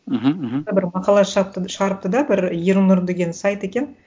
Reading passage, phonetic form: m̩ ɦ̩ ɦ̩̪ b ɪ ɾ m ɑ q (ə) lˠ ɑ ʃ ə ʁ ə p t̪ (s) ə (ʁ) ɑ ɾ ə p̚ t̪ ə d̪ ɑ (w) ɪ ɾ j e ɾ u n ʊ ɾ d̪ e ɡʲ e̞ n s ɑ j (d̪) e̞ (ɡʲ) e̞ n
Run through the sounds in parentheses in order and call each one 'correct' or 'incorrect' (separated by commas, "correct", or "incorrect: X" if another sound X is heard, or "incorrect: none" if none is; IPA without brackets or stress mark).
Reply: incorrect: ɑ, incorrect: ʃ, correct, incorrect: b, incorrect: t̪, incorrect: kʲ